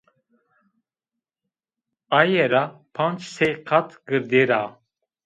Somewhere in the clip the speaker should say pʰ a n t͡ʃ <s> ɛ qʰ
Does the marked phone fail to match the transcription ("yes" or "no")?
no